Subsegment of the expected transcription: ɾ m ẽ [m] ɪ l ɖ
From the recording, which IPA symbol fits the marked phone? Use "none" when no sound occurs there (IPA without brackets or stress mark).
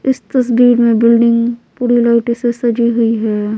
b